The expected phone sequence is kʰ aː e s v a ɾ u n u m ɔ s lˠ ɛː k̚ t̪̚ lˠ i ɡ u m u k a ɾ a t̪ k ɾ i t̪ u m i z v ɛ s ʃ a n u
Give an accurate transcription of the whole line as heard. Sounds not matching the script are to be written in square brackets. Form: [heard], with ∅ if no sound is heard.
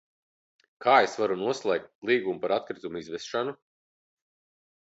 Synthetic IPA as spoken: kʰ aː e s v a ɾ u n u [∅] ɔ s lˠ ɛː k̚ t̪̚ lˠ [iː] ɡ u m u [p] a ɾ a t̪ k ɾ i t̪ u m i z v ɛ s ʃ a n u